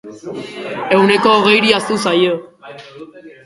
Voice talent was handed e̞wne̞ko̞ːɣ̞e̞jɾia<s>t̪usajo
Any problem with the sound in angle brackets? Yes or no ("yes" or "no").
no